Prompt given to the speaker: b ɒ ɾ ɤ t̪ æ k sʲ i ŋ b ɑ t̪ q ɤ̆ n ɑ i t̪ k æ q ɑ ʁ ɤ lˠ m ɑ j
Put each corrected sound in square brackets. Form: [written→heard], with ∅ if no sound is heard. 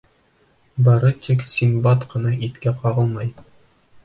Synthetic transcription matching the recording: b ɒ ɾ ɤ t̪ [æ→i] k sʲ i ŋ b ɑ t̪ q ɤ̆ n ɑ i t̪ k æ q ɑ ʁ ɤ lˠ m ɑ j